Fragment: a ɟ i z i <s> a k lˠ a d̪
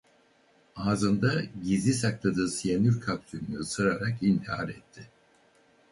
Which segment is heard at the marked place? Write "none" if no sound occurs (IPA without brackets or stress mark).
s